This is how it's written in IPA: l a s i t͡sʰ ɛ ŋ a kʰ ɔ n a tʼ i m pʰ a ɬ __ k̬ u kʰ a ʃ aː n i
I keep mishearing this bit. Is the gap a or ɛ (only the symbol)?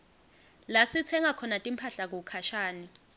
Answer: a